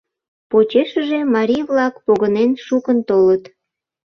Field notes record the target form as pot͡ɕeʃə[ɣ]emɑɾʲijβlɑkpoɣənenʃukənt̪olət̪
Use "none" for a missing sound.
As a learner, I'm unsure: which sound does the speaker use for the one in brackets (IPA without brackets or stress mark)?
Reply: ʒ